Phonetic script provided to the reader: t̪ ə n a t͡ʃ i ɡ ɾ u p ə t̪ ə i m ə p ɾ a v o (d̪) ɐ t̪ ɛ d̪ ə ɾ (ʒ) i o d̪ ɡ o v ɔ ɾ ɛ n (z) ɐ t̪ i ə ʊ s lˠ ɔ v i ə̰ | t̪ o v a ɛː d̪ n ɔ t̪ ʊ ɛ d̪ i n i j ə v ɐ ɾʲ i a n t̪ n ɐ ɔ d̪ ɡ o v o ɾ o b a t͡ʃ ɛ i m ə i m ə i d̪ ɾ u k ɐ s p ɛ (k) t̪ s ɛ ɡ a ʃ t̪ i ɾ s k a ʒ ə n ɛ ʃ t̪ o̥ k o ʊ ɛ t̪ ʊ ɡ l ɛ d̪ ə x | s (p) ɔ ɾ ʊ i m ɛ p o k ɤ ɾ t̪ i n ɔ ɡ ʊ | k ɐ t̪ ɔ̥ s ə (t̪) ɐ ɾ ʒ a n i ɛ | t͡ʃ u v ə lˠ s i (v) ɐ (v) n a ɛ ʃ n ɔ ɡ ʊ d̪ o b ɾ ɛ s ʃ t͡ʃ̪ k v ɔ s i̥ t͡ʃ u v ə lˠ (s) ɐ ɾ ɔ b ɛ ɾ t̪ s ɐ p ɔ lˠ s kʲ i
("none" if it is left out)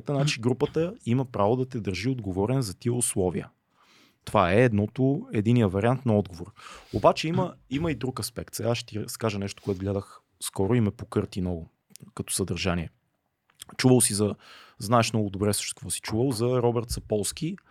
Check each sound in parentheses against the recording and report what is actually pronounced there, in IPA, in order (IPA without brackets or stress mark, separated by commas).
d̪, ʒ, z, k, k, d̪, z, z, z